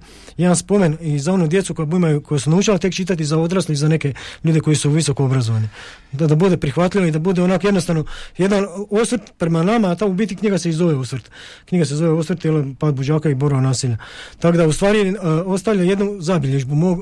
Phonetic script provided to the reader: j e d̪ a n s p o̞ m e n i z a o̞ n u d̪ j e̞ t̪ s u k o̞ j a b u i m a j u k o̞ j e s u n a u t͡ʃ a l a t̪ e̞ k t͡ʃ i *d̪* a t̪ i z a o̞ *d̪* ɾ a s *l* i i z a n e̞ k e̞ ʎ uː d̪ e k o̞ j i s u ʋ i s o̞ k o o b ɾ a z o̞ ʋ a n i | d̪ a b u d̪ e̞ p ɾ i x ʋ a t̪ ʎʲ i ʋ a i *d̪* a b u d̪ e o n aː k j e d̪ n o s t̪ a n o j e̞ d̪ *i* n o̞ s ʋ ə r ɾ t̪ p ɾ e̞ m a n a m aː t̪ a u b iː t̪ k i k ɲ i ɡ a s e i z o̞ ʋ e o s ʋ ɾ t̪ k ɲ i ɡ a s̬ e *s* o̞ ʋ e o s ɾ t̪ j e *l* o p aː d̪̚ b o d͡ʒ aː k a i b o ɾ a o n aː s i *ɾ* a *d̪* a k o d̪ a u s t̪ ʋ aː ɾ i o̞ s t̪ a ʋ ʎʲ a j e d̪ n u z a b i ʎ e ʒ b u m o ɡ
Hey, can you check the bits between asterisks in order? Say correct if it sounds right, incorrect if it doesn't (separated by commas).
incorrect, correct, correct, correct, incorrect, incorrect, correct, incorrect, incorrect